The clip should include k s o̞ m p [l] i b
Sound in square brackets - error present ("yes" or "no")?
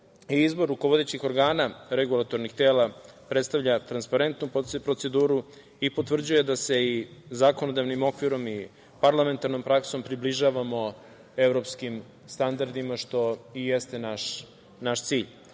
yes